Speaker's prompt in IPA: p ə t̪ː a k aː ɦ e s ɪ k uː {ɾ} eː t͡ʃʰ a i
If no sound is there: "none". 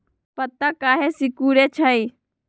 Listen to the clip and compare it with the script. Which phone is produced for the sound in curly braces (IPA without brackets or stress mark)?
ɾ